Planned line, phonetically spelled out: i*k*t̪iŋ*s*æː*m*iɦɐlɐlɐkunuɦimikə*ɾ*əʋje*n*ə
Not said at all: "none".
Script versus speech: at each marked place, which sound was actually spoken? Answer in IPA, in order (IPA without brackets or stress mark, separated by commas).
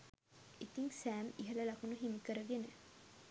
none, s, m, ɾ, n